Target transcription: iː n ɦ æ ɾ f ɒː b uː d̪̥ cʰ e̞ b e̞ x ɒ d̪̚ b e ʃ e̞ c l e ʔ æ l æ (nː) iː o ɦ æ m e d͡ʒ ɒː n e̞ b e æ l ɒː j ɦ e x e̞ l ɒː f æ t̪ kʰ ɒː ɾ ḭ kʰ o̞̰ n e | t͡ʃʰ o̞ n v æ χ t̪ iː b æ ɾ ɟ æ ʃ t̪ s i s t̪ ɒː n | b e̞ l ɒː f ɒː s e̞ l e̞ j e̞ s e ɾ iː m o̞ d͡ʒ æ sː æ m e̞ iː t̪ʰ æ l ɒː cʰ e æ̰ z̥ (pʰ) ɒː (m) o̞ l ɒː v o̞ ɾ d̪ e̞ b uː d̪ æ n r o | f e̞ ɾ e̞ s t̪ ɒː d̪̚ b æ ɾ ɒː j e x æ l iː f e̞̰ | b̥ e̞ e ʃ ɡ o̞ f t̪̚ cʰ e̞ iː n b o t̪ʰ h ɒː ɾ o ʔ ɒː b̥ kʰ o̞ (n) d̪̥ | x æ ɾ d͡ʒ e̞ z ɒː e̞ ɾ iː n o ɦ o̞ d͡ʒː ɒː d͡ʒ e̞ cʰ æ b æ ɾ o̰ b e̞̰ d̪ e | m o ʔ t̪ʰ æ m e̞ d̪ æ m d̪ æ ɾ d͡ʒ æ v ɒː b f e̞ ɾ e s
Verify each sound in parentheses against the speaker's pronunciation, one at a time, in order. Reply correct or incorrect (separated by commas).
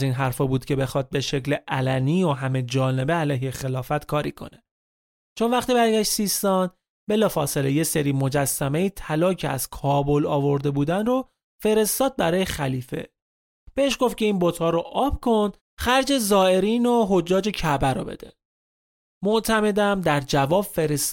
incorrect, incorrect, incorrect, correct